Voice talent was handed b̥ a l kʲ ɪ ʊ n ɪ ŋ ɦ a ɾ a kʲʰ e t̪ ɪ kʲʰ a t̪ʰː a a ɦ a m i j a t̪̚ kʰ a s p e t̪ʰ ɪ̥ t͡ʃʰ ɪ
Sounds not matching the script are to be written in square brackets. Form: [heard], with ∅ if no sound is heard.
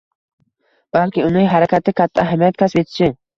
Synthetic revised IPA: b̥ a l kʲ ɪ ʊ n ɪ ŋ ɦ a ɾ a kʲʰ [a] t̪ ɪ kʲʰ a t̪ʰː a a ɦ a m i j a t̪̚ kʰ a s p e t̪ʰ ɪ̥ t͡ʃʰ ɪ